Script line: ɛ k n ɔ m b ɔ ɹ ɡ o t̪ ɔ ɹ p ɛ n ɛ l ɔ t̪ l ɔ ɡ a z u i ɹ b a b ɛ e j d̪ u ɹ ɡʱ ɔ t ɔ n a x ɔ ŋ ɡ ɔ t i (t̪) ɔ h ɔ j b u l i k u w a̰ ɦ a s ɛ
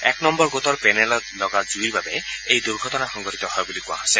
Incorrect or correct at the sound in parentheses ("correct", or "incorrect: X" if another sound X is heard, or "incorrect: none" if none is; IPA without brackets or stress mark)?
correct